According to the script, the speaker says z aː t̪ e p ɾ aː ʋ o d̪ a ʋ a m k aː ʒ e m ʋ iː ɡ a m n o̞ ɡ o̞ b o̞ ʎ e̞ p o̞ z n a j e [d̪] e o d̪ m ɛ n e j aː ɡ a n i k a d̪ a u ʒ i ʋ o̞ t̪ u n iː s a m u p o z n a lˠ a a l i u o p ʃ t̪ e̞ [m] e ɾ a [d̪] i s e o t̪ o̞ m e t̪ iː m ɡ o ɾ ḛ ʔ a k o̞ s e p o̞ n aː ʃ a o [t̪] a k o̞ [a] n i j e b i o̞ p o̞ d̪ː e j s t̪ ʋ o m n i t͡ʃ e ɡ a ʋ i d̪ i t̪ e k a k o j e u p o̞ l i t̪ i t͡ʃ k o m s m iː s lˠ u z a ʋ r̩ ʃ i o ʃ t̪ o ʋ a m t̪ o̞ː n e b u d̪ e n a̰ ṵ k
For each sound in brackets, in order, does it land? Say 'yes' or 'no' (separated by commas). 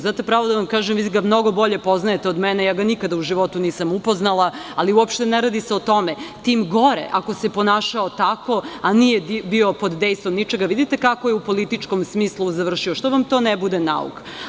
no, no, yes, yes, yes